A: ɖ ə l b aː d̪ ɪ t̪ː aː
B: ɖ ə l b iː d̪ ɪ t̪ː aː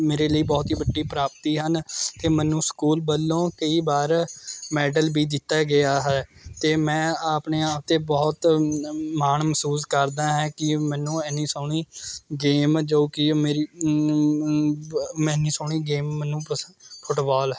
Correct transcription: B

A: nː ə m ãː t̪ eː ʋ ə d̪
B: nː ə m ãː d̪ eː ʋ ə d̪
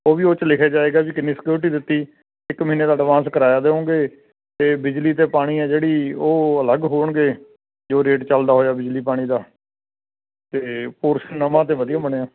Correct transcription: A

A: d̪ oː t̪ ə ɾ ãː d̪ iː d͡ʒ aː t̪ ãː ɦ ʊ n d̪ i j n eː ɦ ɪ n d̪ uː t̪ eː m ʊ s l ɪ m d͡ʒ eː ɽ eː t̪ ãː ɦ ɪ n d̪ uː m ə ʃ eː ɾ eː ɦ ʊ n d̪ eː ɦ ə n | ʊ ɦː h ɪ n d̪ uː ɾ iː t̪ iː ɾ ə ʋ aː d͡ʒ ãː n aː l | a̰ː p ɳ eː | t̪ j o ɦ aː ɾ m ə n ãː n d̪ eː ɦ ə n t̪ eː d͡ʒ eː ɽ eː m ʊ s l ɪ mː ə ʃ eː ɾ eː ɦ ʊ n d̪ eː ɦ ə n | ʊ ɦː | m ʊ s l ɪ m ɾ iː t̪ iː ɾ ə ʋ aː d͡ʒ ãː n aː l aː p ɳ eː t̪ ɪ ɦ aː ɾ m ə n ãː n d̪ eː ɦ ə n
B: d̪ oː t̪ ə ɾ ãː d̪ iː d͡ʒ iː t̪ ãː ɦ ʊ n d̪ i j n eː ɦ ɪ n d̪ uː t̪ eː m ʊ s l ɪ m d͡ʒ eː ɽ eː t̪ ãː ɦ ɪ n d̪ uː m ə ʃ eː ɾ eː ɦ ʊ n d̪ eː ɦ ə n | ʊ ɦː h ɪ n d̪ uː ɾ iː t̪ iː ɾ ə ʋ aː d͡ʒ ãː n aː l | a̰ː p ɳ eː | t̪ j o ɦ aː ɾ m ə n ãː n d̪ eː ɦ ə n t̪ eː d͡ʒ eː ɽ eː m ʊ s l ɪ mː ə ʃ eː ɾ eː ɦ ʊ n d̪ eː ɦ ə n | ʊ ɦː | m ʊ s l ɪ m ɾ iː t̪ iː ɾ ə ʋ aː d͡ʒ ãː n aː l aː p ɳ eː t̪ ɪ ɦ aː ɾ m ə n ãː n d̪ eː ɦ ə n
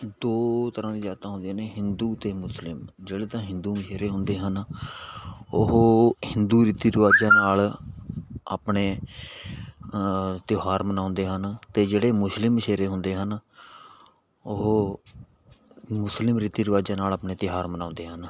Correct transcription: A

